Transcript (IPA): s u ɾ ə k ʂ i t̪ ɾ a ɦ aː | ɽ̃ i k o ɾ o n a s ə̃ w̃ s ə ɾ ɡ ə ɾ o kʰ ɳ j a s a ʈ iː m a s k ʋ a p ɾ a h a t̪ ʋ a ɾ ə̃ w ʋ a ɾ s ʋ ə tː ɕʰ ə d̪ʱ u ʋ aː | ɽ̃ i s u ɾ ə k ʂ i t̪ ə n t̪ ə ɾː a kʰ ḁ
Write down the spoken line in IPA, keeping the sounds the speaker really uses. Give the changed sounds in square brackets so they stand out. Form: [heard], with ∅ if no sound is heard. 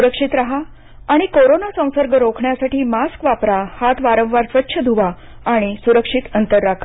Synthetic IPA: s u ɾ ə k ʂ i t̪ ɾ a ɦ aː | ɽ̃ i k o ɾ o n a s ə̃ w̃ s ə ɾ ɡ ə ɾ o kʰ ɳ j a s a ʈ iː m a s k ʋ a p ɾ a h a t̪ ʋ a ɾ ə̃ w ʋ a ɾ s ʋ ə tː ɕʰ ə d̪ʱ u ʋ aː | ɽ̃ i s u ɾ ə k ʂ i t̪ ə n t̪ ə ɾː a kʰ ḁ